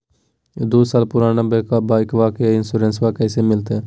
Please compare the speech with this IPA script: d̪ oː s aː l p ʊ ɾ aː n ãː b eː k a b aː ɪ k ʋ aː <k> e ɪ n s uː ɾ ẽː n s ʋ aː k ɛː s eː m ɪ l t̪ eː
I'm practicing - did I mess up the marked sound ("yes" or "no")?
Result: no